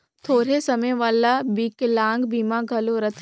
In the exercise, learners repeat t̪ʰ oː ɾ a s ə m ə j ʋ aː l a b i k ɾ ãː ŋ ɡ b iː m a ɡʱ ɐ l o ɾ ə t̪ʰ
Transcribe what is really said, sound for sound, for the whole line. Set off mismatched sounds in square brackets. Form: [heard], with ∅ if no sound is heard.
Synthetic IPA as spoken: t̪ʰ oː ɾ [e] s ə m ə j ʋ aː l a b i k [l] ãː ŋ ɡ b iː m a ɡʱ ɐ l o ɾ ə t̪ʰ